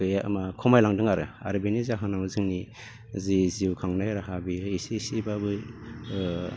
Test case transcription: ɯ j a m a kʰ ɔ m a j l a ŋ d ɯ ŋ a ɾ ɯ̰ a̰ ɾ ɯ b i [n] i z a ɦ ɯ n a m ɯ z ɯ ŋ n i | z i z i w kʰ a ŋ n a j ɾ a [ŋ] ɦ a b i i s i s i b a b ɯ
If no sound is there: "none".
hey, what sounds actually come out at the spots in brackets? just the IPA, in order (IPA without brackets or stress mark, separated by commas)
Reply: n, none